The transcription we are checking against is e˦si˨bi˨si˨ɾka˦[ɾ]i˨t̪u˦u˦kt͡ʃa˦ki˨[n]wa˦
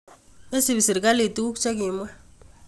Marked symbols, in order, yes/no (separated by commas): no, no